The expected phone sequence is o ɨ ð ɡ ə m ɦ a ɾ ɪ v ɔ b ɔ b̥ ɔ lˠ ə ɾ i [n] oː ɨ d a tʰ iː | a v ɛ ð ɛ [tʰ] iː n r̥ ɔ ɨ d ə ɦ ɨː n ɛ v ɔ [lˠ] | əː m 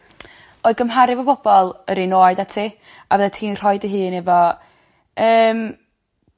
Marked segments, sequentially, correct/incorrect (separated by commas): correct, correct, incorrect